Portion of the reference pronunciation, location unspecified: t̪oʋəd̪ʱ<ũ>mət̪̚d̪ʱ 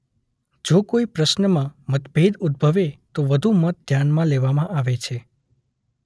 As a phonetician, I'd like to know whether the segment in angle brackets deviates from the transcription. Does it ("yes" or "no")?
yes